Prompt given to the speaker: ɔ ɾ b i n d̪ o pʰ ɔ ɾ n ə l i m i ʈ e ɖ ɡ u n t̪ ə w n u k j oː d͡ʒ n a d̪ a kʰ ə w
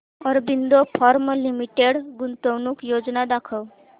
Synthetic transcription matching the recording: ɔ ɾ b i n d̪ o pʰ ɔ ɾ m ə l i m i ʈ e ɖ ɡ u n t̪ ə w n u k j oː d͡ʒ n a d̪ a kʰ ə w